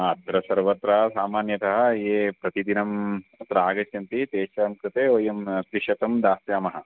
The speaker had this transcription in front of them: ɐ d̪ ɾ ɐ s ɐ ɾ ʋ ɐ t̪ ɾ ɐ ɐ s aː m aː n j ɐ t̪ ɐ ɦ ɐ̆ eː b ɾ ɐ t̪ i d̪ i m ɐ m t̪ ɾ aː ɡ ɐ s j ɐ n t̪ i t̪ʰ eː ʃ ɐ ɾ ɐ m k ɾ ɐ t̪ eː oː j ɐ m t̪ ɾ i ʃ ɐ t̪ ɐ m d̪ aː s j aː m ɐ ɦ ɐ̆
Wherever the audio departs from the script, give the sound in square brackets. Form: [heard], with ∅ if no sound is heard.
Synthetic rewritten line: ɐ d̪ ɾ ɐ s ɐ ɾ ʋ ɐ t̪ ɾ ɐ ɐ s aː m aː n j ɐ t̪ ɐ ɦ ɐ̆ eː [p] ɾ ɐ t̪ i d̪ i [n] ɐ m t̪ ɾ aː ɡ ɐ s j ɐ n t̪ i [t̪] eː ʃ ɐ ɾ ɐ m k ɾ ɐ t̪ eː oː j ɐ m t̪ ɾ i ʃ ɐ t̪ ɐ m d̪ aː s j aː m ɐ ɦ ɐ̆